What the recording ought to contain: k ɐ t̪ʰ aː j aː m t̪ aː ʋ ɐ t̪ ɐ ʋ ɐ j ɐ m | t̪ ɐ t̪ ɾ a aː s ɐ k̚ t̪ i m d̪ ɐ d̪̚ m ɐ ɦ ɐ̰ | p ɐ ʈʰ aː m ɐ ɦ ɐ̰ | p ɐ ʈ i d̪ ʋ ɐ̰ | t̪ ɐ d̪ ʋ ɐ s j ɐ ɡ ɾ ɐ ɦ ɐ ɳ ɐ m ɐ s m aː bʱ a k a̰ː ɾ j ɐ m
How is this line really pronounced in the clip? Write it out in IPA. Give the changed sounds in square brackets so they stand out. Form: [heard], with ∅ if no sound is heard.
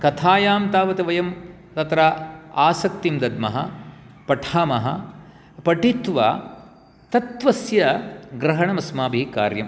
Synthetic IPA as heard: k ɐ t̪ʰ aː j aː m t̪ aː ʋ ɐ t̪ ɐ ʋ ɐ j ɐ m | t̪ ɐ t̪ ɾ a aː s ɐ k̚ t̪ i m d̪ ɐ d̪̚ m ɐ ɦ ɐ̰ | p ɐ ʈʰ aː m ɐ ɦ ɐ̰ | p ɐ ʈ i [t̪] ʋ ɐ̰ | t̪ ɐ [t̪] ʋ ɐ s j ɐ ɡ ɾ ɐ ɦ ɐ ɳ ɐ m ɐ s m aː bʱ [i] k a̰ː ɾ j ɐ m